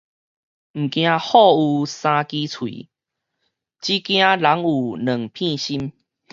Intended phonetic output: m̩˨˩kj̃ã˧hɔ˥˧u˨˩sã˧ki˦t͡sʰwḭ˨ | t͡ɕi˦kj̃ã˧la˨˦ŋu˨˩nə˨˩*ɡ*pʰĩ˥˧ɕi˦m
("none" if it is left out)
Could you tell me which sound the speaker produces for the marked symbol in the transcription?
ŋ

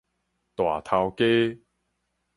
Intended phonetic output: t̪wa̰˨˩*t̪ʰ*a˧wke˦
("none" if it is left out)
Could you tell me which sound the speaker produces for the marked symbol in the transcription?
t̪ʰ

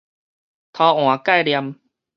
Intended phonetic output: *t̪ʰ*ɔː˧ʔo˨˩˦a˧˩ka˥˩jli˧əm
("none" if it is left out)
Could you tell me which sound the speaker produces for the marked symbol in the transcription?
t̪ʰ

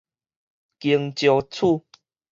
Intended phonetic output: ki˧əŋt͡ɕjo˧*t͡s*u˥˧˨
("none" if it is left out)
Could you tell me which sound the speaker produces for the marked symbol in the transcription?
t͡sʰ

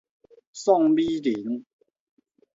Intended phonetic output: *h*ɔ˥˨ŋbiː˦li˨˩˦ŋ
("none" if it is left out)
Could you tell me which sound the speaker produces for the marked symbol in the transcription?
s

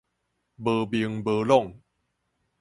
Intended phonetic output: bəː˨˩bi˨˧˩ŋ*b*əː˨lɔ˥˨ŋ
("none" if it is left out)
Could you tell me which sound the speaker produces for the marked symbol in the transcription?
b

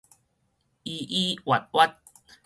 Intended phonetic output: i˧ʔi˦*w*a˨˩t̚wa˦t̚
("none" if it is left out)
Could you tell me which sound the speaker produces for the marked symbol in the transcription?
w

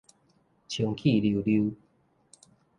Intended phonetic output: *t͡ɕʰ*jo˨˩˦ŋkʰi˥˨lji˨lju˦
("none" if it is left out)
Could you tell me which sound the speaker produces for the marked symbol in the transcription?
t͡ɕʰ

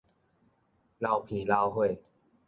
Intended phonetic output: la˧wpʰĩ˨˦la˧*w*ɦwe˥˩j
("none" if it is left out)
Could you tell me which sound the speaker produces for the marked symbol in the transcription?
w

